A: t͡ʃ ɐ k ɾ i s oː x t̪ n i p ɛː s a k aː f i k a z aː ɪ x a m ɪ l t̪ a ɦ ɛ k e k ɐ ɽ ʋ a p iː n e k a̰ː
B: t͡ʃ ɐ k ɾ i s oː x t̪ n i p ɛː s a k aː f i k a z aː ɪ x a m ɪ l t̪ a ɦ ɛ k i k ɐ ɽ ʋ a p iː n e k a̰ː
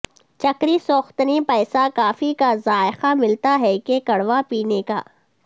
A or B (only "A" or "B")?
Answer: A